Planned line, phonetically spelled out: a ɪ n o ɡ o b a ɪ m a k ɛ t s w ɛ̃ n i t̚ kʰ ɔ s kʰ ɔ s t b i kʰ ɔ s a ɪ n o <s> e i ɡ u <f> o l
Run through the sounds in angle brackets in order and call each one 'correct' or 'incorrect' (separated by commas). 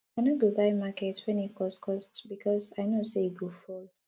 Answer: correct, correct